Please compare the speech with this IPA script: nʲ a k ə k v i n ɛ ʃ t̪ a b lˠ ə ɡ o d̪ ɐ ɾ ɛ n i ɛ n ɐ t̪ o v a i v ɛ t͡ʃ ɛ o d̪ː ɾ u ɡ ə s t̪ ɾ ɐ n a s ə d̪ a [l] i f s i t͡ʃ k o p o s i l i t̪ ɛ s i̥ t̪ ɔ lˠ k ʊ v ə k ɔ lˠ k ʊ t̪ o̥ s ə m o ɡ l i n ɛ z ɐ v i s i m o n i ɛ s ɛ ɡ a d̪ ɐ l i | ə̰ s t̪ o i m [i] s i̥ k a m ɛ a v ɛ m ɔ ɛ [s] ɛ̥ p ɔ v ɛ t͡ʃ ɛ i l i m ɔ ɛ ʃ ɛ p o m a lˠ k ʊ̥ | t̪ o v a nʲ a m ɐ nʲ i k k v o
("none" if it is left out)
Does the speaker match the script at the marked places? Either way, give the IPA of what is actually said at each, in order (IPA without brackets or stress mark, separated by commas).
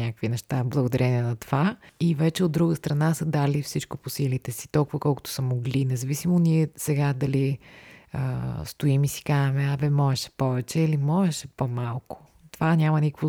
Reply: l, i, ʃ